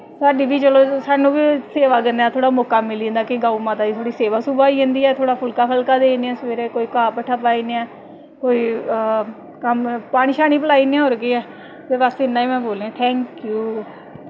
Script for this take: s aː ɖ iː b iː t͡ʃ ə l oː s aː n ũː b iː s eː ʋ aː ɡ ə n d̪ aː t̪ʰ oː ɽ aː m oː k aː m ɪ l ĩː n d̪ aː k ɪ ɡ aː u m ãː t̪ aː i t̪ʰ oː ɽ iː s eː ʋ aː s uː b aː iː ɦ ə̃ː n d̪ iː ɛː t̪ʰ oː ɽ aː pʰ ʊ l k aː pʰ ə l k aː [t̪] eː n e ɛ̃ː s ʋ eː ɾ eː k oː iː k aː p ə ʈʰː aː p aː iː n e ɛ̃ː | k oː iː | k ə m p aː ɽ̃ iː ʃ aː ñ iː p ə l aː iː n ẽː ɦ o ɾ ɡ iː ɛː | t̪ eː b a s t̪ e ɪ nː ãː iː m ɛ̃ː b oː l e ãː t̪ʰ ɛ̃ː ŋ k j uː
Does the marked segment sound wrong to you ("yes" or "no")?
yes